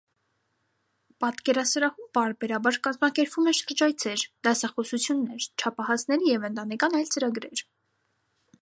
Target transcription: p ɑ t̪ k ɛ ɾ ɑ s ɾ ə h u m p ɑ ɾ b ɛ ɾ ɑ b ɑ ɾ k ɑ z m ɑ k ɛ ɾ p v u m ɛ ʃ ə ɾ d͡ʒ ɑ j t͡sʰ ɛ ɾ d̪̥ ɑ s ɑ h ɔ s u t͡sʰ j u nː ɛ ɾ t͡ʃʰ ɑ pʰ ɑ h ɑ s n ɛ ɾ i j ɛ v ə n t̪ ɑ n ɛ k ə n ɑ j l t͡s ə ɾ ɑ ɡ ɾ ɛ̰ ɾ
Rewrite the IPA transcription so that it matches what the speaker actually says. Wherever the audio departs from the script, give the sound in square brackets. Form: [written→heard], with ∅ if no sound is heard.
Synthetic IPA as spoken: p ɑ t̪ k ɛ ɾ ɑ s ɾ [ə→ɑ] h u m p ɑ ɾ b ɛ ɾ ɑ b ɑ ɾ k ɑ z m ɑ k ɛ ɾ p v u m ɛ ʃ ə ɾ d͡ʒ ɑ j t͡sʰ ɛ ɾ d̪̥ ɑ s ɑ [h→χ] ɔ s u t͡sʰ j u nː ɛ ɾ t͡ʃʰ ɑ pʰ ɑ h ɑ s n ɛ ɾ i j ɛ v ə n t̪ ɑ n ɛ k [ə→ɑ] n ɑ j l t͡s ə ɾ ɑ ɡ ɾ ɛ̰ ɾ

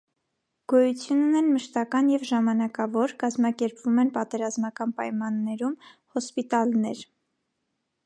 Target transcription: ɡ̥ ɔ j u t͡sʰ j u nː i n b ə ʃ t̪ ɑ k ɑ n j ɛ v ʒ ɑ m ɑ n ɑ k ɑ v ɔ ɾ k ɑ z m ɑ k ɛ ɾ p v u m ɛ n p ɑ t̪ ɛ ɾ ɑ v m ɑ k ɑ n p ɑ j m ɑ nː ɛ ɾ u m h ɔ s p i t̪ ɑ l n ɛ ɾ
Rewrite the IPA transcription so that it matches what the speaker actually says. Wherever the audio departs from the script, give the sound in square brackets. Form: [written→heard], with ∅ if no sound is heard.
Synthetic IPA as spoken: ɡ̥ ɔ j u t͡sʰ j u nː [i→ɛ] n [b→m] ə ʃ t̪ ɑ k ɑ n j ɛ v ʒ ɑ m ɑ n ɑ k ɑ v ɔ ɾ k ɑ z m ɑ k ɛ ɾ p v u m ɛ n p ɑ t̪ ɛ ɾ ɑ [v→z] m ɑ k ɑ n p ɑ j m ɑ nː ɛ ɾ u m h ɔ s p i t̪ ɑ l n ɛ ɾ

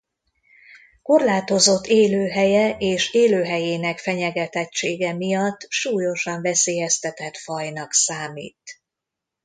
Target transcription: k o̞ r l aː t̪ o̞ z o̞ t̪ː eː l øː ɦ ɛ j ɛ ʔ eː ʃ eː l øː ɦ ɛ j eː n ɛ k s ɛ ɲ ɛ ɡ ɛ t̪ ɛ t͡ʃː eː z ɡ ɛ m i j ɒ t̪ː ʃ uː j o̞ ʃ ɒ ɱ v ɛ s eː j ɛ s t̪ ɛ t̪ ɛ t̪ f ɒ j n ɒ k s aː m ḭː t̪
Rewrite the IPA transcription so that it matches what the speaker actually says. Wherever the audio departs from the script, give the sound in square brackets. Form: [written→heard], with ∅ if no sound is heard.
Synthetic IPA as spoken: k o̞ r l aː t̪ o̞ z o̞ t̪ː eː l øː ɦ ɛ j ɛ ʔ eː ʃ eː l øː ɦ ɛ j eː n ɛ k [s→f] ɛ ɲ ɛ ɡ ɛ t̪ ɛ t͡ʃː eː [z→∅] ɡ ɛ m i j ɒ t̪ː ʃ uː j o̞ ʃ ɒ ɱ v ɛ s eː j ɛ s t̪ ɛ t̪ ɛ t̪ f ɒ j n ɒ k s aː m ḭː t̪

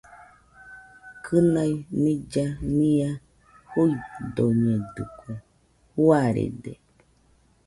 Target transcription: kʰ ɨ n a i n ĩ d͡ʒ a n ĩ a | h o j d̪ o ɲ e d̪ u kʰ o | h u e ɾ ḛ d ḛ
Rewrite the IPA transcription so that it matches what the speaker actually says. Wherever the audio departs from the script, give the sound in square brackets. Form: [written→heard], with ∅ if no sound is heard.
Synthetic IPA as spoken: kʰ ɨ n a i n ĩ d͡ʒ a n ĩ a | h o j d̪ o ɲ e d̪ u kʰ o | h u [e→a] ɾ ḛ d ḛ

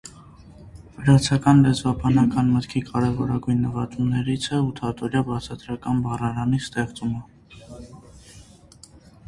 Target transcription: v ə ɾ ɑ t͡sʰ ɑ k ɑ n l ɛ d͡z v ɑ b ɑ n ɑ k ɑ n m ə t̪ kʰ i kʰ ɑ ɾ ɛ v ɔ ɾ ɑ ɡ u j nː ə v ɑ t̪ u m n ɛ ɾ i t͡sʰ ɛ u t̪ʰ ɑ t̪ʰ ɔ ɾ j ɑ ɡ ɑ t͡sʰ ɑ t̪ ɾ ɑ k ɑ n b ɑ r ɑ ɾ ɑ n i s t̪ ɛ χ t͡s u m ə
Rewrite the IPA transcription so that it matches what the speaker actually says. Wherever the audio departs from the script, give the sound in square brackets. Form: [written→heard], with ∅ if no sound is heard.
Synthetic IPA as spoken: v ə ɾ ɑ t͡sʰ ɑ k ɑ n l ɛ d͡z v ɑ b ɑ n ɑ k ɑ n m ə t̪ kʰ i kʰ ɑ ɾ ɛ v ɔ ɾ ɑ ɡ u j nː ə v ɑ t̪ u m n ɛ ɾ i t͡sʰ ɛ u t̪ʰ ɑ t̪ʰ ɔ ɾ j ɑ [ɡ→b] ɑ t͡sʰ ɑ t̪ ɾ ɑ k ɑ n b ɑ r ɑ ɾ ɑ n i s t̪ ɛ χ t͡s u m ə

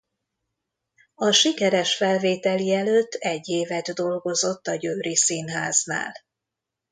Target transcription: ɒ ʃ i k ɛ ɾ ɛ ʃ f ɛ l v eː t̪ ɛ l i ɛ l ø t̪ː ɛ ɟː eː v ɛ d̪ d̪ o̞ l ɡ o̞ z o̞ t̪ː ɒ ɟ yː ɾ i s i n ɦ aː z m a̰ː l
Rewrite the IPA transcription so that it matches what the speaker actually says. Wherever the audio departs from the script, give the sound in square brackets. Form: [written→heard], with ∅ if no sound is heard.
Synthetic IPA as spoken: ɒ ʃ i k ɛ ɾ ɛ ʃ f ɛ l v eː t̪ ɛ l i ɛ l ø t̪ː ɛ ɟː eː v ɛ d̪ d̪ o̞ l ɡ o̞ z o̞ t̪ː ɒ ɟ [yː→øː] ɾ i s i n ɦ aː z [m→n] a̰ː l

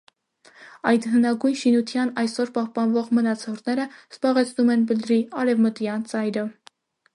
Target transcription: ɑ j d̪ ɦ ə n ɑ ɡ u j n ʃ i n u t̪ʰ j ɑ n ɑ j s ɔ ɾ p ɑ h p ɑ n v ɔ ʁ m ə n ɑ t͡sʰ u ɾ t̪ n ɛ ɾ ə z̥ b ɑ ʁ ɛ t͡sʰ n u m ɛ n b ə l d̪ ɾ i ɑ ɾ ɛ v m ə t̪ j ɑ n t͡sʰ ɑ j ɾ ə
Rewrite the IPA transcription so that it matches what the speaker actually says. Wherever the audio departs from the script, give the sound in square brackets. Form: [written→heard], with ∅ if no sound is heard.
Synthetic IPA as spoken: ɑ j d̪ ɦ ə n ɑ ɡ u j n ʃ i n u t̪ʰ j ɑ n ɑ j s ɔ ɾ p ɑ h p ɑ n v ɔ ʁ m ə n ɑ t͡sʰ [u→ɔ] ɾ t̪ n ɛ ɾ ə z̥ b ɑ ʁ ɛ t͡sʰ n u m ɛ n b ə l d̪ ɾ i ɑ ɾ ɛ v m ə t̪ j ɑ n [t͡sʰ→t͡s] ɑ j ɾ ə

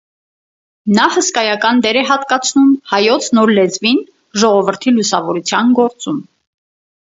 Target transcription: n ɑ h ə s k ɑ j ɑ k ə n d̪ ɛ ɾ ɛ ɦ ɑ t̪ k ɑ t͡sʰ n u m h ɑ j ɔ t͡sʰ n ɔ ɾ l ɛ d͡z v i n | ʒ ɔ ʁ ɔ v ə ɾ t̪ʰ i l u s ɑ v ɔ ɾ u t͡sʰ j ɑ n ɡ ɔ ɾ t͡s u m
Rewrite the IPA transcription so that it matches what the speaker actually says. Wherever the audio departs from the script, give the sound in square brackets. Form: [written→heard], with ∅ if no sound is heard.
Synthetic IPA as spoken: n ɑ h ə s k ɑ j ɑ k [ə→ɑ] n d̪ ɛ ɾ ɛ ɦ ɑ t̪ k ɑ t͡sʰ n u m h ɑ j ɔ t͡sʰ n ɔ ɾ l ɛ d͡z v i n | ʒ ɔ ʁ ɔ v ə ɾ t̪ʰ i l u s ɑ v ɔ ɾ u t͡sʰ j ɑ n ɡ ɔ ɾ t͡s u m

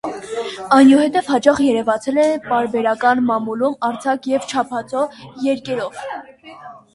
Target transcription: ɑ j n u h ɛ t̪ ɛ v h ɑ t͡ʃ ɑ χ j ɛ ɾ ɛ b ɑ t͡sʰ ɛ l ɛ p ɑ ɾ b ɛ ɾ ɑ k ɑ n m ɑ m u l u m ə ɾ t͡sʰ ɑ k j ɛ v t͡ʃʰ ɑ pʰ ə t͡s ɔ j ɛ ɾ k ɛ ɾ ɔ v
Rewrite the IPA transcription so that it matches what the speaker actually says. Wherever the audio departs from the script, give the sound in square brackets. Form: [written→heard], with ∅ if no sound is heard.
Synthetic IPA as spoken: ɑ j n u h ɛ t̪ ɛ v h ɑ t͡ʃ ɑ χ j ɛ ɾ ɛ [b→v] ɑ t͡sʰ ɛ l ɛ p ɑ ɾ b ɛ ɾ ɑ k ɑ n m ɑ m u l u m [ə→ɑ] ɾ t͡sʰ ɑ k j ɛ v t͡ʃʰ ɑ pʰ [ə→ɑ] t͡s ɔ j ɛ ɾ k ɛ ɾ ɔ v

